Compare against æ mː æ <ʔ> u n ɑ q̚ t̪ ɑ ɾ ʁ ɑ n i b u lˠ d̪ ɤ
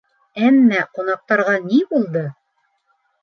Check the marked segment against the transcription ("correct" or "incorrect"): incorrect